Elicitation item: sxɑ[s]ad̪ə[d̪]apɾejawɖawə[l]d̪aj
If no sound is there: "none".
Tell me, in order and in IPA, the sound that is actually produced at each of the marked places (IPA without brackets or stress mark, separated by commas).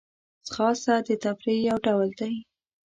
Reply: s, t̪, l